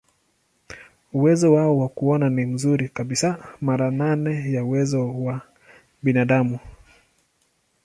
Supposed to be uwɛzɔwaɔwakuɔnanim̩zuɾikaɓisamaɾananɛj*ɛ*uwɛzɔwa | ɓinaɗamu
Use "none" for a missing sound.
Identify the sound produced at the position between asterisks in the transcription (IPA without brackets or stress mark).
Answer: a